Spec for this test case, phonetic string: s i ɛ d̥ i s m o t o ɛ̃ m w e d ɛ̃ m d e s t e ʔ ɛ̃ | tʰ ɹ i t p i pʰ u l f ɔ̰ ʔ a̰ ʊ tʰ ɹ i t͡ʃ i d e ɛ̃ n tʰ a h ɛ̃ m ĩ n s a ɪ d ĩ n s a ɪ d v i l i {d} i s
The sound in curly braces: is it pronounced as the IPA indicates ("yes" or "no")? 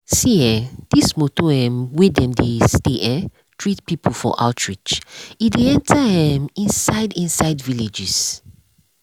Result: no